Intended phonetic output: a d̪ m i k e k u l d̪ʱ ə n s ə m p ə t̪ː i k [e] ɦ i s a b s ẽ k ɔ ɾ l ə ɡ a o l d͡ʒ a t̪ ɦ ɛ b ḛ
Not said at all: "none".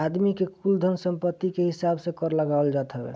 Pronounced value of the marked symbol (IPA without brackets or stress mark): e